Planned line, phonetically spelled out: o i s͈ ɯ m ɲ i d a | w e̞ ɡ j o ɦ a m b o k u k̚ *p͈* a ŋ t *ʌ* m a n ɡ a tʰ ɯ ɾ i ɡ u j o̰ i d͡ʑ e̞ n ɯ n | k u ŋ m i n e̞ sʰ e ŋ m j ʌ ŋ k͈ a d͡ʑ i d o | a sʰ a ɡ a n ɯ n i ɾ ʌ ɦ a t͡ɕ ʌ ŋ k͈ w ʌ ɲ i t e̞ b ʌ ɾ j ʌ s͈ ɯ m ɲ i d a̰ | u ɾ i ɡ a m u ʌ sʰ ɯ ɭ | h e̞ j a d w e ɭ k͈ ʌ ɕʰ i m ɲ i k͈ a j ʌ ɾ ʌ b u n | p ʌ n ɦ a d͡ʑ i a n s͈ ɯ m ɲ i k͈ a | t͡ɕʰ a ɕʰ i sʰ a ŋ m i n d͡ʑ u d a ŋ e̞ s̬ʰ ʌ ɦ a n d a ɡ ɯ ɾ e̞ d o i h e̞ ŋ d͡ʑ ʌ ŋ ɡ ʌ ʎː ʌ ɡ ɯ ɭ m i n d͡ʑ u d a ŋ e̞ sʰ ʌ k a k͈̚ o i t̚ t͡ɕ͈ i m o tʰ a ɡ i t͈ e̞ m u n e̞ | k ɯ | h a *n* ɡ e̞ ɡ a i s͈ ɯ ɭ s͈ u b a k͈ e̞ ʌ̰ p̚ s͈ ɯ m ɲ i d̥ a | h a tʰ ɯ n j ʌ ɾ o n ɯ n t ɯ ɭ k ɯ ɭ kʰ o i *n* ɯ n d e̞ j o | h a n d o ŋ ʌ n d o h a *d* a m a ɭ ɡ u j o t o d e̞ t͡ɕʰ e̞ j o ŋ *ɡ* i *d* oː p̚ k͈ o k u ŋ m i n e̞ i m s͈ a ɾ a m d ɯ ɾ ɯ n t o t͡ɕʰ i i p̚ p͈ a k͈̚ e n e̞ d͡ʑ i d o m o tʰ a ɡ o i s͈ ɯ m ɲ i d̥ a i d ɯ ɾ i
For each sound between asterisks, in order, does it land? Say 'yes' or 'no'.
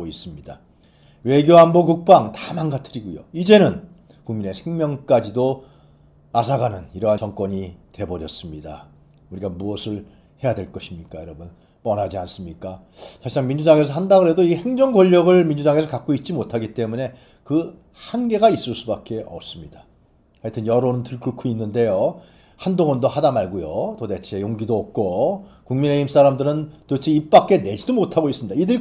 yes, no, yes, no, yes, yes, yes

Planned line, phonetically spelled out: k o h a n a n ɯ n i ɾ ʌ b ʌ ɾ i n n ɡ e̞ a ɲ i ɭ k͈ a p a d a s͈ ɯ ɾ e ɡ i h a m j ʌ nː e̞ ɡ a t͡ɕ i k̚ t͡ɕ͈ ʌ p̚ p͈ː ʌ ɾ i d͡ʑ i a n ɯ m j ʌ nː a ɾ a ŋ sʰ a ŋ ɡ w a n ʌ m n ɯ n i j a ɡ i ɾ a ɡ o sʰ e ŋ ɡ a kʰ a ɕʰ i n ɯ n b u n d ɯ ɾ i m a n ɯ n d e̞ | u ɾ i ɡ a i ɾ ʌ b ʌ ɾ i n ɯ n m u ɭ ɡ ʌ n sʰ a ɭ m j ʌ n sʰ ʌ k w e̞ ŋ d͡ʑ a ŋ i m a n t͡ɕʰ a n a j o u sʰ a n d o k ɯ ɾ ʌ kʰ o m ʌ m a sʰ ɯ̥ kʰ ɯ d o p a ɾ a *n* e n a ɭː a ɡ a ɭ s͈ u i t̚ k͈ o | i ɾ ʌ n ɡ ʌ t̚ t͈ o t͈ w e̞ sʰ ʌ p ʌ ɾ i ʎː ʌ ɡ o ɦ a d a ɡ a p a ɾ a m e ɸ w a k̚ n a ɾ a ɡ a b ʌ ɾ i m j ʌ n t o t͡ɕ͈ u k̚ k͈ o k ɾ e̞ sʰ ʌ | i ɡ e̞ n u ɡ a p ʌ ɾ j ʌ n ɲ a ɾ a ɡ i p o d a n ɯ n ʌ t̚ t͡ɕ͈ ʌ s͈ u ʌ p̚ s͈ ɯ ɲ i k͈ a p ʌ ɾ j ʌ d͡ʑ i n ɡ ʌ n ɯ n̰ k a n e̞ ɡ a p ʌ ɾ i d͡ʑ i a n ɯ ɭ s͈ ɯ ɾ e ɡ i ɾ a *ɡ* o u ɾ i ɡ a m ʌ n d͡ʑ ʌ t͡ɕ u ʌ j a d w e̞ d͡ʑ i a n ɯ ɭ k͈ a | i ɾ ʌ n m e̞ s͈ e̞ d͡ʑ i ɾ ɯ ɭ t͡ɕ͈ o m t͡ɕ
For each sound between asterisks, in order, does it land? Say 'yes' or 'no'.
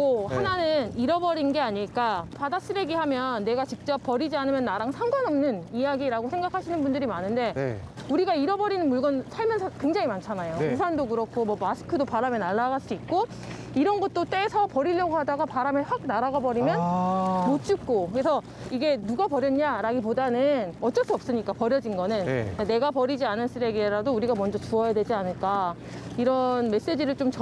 no, no

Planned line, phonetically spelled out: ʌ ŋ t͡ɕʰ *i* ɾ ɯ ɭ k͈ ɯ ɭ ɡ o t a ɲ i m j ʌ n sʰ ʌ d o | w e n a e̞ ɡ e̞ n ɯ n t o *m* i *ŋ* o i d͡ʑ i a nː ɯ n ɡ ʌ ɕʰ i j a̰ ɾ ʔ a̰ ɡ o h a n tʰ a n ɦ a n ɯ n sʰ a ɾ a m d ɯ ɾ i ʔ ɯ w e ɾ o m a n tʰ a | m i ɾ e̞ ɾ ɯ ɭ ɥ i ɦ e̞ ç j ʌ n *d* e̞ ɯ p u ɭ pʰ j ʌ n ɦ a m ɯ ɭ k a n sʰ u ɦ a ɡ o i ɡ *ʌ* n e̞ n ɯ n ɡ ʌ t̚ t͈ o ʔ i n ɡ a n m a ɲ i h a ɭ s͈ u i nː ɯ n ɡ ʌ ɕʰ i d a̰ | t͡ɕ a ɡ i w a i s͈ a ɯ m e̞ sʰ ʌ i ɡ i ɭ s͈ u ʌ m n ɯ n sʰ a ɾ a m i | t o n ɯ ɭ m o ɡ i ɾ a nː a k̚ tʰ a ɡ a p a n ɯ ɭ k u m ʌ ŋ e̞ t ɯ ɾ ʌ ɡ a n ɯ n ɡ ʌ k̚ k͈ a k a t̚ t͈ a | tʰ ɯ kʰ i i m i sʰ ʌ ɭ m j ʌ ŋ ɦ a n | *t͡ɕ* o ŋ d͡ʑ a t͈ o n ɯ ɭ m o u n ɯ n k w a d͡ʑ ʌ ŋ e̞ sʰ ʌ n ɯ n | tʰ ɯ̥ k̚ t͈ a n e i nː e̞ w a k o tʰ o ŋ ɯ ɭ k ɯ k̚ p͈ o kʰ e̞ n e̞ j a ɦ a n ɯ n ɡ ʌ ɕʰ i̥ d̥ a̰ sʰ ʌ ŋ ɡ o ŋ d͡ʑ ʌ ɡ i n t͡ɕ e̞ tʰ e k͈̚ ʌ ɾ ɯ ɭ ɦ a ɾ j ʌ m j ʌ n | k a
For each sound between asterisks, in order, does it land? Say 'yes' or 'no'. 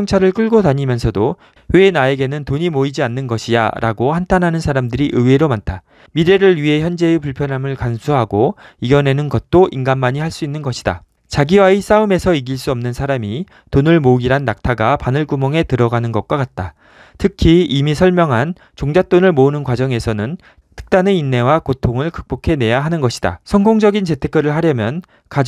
no, no, no, no, yes, yes

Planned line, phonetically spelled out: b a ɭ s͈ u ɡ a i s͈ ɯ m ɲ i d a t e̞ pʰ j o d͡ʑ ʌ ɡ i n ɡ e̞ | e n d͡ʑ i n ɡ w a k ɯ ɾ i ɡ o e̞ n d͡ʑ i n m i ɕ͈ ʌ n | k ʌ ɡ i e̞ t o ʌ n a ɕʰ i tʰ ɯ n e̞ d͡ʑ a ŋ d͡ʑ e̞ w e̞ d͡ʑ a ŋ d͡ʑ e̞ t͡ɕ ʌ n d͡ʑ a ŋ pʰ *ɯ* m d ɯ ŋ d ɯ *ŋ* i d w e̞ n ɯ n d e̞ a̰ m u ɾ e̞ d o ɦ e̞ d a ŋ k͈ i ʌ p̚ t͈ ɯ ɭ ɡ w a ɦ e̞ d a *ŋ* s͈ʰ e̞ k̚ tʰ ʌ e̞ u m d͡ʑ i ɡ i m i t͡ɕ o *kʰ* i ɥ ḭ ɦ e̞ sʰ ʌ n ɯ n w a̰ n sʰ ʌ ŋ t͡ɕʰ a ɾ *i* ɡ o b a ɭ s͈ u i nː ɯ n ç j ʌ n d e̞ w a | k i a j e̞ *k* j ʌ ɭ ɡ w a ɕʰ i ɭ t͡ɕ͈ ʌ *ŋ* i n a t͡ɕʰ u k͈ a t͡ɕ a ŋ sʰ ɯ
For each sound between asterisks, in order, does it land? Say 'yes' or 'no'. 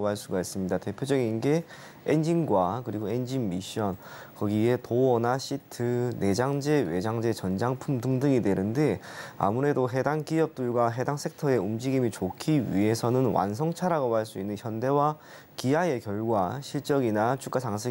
no, yes, yes, yes, no, yes, no

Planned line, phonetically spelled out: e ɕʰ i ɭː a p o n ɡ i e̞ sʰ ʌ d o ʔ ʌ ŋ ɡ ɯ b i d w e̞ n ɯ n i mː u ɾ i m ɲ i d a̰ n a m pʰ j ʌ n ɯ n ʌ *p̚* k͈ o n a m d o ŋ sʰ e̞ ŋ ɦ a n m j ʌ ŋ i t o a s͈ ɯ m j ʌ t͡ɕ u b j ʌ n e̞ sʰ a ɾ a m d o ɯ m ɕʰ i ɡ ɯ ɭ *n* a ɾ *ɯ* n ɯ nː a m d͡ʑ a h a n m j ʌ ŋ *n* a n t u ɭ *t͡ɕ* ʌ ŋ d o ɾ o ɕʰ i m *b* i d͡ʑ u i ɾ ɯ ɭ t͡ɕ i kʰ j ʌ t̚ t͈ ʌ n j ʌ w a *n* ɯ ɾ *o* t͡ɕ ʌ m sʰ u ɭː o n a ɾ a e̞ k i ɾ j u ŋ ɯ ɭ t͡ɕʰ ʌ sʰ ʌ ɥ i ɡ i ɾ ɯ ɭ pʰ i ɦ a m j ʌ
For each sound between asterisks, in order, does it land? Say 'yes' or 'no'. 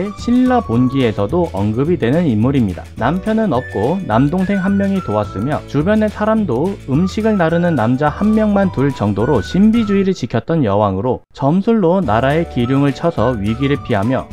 yes, yes, yes, no, yes, yes, no, yes

